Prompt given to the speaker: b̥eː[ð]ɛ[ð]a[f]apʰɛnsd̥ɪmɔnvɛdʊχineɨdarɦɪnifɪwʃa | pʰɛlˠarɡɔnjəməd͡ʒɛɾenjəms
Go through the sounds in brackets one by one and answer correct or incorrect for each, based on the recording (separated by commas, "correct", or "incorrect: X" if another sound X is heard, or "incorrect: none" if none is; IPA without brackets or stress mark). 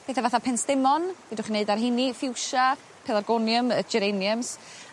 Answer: incorrect: θ, incorrect: v, incorrect: θ